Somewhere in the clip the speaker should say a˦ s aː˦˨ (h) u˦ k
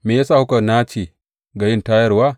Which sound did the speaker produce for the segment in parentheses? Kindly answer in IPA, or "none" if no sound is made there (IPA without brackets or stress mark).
h